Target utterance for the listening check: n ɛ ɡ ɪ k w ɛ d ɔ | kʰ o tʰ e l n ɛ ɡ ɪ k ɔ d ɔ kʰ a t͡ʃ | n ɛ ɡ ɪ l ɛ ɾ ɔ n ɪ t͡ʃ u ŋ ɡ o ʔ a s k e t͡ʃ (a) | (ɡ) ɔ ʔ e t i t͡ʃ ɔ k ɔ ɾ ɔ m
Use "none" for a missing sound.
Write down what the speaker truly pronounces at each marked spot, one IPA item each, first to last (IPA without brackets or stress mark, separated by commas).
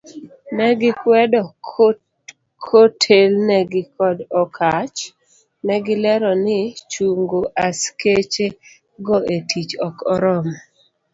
e, ɡ